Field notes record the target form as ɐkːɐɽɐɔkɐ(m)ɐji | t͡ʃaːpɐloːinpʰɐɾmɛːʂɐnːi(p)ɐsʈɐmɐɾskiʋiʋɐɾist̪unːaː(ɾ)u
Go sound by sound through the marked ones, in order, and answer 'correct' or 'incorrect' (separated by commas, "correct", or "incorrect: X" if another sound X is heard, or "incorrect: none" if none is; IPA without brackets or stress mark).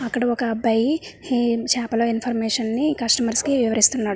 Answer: incorrect: b, incorrect: k, incorrect: ɽ